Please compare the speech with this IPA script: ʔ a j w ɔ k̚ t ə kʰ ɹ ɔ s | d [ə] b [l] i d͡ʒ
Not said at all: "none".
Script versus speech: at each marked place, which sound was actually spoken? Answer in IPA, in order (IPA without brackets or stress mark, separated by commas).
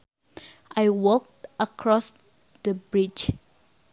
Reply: ə, ɹ